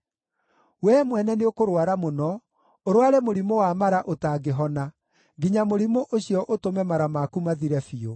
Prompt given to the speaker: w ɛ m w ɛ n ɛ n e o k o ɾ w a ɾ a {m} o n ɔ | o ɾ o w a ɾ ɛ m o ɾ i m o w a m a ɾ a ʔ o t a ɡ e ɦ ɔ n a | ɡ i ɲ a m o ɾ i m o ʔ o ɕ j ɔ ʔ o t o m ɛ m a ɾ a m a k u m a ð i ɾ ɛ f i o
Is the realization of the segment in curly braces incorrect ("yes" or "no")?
no